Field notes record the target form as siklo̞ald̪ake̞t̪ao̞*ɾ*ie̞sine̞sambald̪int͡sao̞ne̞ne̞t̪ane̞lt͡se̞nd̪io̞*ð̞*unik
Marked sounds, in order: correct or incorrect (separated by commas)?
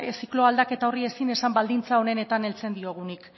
incorrect, incorrect